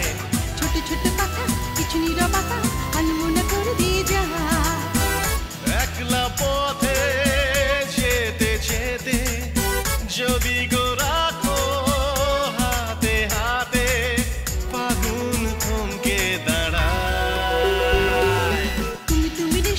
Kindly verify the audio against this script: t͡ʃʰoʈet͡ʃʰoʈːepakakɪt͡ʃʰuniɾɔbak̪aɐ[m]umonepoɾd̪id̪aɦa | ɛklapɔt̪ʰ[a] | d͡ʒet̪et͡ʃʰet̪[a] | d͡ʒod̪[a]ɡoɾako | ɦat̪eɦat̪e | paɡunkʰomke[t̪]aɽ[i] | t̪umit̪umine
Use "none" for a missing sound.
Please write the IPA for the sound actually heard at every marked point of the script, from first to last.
n, e, e, i, d̪, a

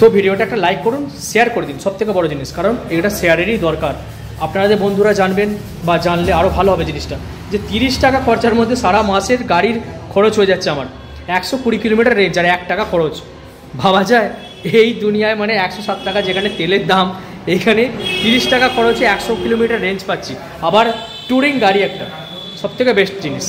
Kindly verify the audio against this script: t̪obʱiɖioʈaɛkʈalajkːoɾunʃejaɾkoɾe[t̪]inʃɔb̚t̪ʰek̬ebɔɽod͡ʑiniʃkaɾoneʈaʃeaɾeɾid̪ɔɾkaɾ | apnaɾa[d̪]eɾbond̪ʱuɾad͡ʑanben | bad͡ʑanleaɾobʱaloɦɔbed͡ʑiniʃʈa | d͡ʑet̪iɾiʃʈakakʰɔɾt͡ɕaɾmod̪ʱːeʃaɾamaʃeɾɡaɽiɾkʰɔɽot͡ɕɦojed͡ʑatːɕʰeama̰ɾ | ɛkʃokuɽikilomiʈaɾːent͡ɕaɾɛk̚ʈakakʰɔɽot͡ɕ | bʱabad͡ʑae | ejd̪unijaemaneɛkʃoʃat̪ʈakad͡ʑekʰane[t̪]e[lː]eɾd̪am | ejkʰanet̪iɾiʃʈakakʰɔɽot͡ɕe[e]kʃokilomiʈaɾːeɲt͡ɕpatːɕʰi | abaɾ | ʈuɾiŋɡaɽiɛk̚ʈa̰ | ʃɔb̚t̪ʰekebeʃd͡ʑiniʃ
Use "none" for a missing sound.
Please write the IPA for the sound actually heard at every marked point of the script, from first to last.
d̪, d̪, t̪, l, ɛ

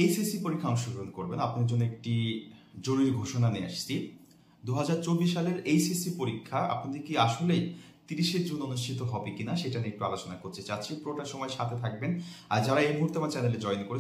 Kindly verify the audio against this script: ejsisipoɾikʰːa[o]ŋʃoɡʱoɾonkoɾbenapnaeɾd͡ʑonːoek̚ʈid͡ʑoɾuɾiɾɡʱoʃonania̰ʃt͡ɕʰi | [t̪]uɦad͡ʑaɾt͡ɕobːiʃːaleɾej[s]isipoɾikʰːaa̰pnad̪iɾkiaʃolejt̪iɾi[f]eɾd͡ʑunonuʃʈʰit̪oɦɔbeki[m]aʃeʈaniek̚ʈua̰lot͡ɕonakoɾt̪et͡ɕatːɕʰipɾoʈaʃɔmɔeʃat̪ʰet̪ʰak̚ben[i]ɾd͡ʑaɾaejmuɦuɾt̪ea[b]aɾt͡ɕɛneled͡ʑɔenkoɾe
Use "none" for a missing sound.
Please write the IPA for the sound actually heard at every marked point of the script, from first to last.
ɔ, d̪, s, ʃ, n, a, m

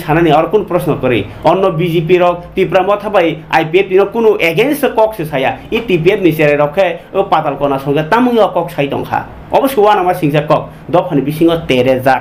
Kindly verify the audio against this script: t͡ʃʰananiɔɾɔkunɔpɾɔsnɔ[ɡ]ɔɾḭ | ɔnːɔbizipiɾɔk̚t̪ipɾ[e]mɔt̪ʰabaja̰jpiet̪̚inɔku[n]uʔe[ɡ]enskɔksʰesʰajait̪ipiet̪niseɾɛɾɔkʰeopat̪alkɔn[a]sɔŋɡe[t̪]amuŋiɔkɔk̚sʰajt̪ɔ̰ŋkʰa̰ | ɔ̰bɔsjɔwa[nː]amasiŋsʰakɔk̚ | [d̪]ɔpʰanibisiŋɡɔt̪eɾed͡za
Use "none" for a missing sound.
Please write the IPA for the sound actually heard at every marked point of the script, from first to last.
k, a, n, ɡ, a, t̪, n, d̪

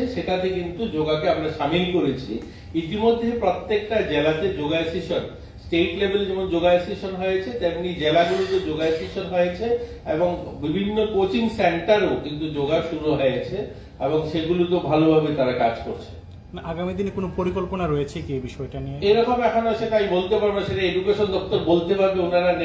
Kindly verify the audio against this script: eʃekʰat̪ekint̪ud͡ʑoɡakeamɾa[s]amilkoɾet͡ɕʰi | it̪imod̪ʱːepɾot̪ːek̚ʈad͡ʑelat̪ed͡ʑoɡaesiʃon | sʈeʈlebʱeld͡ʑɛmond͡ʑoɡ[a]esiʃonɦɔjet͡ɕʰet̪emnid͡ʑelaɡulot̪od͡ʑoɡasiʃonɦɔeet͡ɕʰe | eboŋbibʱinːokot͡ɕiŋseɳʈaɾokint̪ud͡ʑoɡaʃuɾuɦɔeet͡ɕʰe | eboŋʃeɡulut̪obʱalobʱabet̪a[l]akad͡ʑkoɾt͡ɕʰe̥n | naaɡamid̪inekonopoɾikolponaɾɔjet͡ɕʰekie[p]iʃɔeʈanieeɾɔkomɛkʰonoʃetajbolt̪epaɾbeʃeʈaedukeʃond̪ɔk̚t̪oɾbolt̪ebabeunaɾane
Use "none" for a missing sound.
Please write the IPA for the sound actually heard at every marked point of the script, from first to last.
ʃ, a, ɾ, b

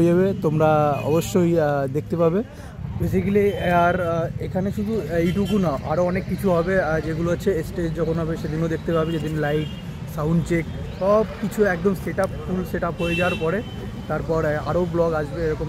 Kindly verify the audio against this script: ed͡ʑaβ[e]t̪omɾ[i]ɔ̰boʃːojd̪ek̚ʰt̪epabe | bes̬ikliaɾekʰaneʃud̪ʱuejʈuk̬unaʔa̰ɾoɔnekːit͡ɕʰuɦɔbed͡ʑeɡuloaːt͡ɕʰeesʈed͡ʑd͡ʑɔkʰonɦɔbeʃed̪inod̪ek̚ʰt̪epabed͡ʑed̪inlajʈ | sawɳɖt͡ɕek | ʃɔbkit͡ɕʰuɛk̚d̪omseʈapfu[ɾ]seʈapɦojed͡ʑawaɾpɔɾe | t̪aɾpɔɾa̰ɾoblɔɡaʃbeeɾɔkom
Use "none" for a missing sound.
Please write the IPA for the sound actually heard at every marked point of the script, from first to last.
e, a, l

